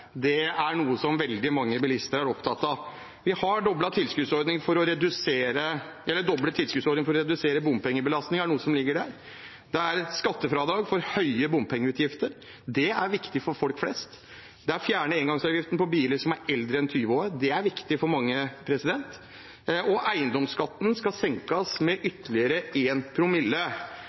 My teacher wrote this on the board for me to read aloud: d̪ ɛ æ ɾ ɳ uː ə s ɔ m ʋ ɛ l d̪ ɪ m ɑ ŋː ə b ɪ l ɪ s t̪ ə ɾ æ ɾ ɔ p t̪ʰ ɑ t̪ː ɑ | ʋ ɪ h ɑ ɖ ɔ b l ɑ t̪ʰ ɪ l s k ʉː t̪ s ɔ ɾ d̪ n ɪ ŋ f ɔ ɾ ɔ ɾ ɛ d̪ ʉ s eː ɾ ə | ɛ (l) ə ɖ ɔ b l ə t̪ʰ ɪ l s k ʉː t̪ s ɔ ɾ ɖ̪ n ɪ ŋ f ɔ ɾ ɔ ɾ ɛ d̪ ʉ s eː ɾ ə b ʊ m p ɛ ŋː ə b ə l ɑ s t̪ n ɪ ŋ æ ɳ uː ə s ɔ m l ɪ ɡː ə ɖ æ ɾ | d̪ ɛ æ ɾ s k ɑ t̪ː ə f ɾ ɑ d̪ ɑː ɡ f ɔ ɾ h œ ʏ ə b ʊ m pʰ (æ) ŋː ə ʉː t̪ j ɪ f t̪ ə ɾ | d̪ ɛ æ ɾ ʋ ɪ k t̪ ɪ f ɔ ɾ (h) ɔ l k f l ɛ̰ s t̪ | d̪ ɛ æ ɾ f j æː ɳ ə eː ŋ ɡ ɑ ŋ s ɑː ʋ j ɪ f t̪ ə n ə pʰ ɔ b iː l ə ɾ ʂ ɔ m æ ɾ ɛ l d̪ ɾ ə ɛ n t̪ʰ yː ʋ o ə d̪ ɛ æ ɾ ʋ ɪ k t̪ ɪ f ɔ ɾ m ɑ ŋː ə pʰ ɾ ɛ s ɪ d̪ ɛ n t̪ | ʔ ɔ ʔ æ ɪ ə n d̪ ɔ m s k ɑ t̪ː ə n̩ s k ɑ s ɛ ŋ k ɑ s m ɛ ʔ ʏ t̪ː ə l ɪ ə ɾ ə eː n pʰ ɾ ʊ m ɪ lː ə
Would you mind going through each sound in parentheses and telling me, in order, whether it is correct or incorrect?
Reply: incorrect: lː, incorrect: ɛ, incorrect: f

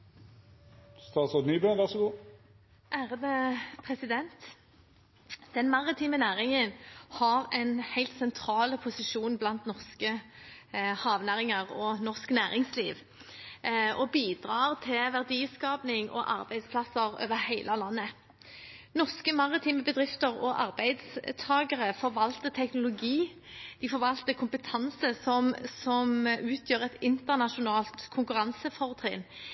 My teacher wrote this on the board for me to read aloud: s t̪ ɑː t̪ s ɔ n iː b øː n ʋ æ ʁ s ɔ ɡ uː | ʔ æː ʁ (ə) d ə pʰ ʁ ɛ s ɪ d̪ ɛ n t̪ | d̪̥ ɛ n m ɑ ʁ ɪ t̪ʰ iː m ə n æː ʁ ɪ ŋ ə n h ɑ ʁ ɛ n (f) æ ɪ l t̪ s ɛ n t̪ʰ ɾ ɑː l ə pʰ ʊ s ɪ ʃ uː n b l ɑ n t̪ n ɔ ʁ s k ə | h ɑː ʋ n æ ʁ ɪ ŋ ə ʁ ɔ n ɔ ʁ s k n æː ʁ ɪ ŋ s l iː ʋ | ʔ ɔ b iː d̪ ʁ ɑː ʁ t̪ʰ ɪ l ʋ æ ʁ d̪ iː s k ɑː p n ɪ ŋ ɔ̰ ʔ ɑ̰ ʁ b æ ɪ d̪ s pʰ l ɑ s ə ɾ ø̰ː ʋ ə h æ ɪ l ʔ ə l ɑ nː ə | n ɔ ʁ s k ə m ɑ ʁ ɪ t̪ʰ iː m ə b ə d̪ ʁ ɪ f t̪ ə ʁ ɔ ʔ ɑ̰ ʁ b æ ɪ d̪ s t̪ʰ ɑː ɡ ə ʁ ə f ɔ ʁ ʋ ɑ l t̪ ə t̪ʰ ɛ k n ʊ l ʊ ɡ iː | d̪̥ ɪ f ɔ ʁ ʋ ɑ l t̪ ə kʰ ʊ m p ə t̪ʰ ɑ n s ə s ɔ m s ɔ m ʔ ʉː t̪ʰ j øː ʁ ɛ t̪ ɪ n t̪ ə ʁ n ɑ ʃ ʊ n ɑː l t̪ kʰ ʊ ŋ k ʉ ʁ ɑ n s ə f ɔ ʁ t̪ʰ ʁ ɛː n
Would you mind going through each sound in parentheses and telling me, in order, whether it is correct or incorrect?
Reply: correct, incorrect: h

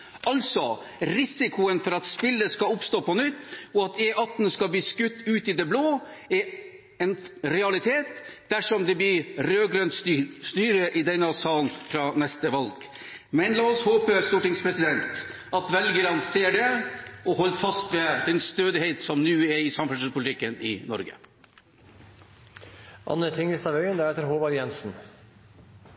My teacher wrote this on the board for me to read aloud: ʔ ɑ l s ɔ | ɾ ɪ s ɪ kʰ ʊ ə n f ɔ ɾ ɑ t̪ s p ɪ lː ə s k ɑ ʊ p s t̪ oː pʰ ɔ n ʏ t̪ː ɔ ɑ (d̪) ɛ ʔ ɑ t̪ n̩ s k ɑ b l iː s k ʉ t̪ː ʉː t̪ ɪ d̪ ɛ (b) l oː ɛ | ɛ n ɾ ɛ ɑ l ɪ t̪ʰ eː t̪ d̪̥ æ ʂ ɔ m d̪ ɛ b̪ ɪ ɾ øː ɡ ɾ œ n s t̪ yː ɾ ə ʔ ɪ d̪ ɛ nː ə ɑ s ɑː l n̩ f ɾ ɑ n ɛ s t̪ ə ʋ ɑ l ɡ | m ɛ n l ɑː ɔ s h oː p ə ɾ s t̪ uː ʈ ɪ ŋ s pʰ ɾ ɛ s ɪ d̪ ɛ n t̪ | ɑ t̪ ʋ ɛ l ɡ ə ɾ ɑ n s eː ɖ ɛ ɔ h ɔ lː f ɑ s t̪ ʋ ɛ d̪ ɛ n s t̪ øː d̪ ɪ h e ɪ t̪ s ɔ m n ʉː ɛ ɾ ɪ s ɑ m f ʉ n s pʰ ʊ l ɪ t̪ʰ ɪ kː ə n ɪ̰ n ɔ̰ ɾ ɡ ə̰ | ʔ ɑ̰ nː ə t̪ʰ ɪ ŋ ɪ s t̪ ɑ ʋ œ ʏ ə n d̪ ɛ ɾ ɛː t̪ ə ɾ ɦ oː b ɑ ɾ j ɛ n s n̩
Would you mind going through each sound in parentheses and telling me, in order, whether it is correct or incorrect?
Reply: incorrect: t̪, correct

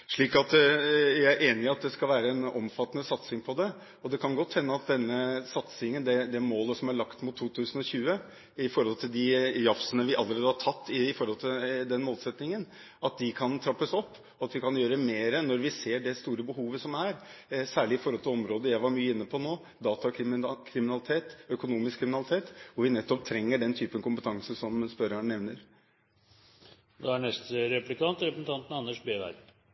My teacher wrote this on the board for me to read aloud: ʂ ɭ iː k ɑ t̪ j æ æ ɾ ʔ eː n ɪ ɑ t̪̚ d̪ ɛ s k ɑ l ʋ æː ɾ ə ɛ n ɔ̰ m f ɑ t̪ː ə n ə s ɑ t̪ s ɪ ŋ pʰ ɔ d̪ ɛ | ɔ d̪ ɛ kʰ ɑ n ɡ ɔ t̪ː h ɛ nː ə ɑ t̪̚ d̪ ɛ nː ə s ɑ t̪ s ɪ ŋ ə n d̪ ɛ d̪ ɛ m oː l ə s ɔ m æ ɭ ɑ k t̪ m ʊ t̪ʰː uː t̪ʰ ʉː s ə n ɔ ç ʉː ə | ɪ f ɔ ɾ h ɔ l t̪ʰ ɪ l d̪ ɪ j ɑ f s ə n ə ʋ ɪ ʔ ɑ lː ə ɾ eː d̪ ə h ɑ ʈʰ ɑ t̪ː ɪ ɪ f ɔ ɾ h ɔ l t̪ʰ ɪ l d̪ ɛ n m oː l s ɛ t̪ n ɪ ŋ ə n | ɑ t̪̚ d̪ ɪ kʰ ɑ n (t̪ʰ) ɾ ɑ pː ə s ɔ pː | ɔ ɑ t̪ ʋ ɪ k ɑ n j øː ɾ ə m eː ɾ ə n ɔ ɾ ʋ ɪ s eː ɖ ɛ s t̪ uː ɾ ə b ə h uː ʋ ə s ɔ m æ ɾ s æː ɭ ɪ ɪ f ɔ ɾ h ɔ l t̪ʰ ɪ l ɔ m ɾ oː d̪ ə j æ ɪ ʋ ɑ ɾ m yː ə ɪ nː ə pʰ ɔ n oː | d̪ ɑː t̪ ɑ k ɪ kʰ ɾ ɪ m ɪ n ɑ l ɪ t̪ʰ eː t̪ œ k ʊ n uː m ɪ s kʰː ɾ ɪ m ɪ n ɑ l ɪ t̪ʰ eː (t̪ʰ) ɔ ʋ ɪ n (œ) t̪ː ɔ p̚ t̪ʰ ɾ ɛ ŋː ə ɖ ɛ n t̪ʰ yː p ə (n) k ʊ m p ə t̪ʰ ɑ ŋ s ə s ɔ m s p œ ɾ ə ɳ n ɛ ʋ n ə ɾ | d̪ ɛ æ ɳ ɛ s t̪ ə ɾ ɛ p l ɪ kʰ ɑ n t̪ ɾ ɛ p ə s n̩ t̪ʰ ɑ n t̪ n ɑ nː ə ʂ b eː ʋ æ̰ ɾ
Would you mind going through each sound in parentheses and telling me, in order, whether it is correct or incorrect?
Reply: correct, incorrect: t̪, incorrect: ɛ, correct

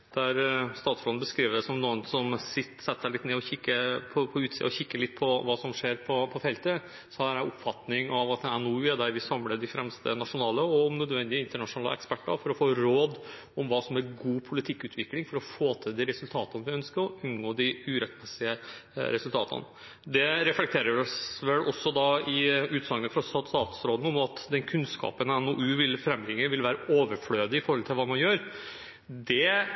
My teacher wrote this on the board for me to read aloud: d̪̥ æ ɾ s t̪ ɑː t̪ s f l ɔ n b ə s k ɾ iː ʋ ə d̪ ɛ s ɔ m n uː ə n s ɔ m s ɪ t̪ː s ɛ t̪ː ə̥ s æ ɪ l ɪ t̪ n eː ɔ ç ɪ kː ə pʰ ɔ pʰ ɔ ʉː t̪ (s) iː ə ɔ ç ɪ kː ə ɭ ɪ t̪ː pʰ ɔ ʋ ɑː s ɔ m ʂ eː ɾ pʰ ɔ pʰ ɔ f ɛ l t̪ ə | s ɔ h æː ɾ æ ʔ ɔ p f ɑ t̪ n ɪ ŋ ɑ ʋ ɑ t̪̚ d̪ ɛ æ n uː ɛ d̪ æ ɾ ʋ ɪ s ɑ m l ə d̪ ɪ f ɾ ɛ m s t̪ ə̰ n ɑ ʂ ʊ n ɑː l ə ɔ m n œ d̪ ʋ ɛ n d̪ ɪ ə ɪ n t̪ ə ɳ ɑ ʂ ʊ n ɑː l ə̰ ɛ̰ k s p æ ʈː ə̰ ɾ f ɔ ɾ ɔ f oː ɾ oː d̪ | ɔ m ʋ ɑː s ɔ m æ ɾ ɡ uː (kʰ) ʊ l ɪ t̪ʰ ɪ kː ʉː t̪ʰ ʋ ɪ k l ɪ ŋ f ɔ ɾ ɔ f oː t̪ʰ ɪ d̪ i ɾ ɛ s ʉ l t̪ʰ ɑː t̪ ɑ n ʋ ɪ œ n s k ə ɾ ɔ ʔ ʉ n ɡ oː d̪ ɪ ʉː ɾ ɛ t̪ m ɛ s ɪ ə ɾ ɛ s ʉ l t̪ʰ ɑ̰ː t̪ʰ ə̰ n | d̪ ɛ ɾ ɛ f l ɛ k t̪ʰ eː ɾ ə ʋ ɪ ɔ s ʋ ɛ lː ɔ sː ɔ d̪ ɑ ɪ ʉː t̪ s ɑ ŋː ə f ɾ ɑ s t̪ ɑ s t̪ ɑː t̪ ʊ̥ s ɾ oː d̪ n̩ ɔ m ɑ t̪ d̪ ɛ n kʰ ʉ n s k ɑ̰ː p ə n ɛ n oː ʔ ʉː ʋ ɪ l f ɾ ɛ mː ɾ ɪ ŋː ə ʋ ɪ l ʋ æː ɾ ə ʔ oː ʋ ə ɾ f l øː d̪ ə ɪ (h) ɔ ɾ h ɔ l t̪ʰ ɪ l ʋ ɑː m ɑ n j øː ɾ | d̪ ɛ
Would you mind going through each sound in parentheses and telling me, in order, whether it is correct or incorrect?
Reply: correct, incorrect: pʰ, incorrect: f

